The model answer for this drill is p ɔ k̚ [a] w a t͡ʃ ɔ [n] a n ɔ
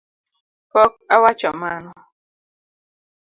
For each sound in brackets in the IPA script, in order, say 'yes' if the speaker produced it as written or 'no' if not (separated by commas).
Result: yes, no